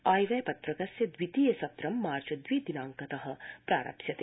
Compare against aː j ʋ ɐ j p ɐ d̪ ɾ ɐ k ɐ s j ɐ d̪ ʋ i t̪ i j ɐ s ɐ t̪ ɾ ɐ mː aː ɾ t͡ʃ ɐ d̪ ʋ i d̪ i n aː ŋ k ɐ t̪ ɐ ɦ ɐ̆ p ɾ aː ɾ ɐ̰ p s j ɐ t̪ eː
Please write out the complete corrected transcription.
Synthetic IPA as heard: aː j ʋ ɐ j p ɐ t̪ ɾ ɐ k ɐ s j ɐ d̪ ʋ i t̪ i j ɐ s ɐ t̪ ɾ ɐ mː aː ɾ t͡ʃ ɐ d̪ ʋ i d̪ i n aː ŋ k ɐ t̪ ɐ ɦ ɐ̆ p ɾ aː ɾ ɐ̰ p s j ɐ t̪ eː